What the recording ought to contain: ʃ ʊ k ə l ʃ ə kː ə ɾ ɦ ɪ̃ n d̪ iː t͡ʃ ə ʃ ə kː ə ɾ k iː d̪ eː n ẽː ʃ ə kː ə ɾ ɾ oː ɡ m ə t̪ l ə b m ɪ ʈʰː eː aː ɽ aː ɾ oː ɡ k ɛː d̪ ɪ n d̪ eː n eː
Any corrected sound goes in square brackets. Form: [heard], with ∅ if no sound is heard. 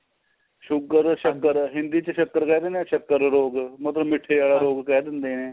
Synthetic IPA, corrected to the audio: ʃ ʊ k ə [ɾ] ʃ ə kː ə ɾ ɦ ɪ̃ n d̪ iː t͡ʃ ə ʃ ə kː ə ɾ k [ɛː] d̪ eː n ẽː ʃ ə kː ə ɾ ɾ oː ɡ m ə t̪ l ə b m ɪ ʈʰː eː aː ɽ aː ɾ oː ɡ k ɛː d̪ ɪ n d̪ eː n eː